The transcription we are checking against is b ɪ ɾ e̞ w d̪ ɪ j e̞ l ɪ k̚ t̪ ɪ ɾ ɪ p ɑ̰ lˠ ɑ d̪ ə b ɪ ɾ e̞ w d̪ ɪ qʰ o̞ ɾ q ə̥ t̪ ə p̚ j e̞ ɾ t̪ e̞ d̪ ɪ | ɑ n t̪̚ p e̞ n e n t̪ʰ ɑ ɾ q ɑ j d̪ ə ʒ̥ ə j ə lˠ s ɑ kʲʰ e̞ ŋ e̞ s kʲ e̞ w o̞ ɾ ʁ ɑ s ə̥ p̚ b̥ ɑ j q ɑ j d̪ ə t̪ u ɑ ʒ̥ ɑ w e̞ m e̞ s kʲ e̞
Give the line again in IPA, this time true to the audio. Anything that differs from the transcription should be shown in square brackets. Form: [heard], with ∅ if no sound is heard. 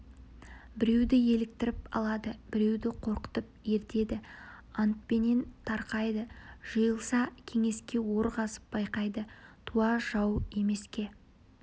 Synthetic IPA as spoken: b ɪ ɾ e̞ w d̪ ɪ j e̞ l ɪ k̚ t̪ ɪ ɾ ɪ p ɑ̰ lˠ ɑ d̪ ə b ɪ ɾ e̞ w d̪ ɪ qʰ o̞ ɾ q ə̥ t̪ ə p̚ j e̞ ɾ t̪ e̞ d̪ ɪ | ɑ n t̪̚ p e̞ n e n t̪ʰ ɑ ɾ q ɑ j d̪ ə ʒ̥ ə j ə lˠ s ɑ kʲʰ e̞ ŋ e̞ s kʲ e̞ w o̞ ɾ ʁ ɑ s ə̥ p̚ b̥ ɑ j q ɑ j d̪ ə [t̪ʰ] u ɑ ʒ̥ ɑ w e̞ m e̞ s kʲ e̞